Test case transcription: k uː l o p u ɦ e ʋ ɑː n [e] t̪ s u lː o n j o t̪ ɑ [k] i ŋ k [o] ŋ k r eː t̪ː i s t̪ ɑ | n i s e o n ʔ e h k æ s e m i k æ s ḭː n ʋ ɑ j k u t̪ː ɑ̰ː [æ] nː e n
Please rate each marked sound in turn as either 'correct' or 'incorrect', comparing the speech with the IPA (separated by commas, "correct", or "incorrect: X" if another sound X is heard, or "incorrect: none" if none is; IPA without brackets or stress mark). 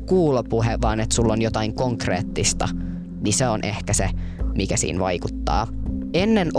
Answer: correct, incorrect: none, correct, incorrect: e